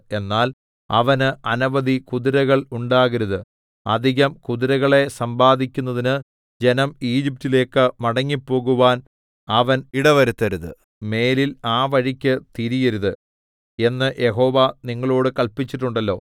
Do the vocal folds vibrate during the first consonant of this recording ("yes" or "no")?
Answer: yes